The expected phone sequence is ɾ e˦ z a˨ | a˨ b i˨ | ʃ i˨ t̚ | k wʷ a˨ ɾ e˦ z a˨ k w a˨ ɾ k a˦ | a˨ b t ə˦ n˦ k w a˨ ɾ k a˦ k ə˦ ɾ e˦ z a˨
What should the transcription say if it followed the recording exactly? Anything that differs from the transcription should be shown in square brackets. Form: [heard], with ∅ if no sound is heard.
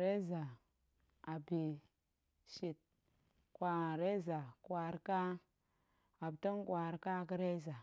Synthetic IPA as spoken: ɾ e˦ z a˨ | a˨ b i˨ | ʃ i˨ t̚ | k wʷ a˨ ɾ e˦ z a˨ k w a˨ ɾ k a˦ | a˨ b t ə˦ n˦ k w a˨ ɾ k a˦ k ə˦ ɾ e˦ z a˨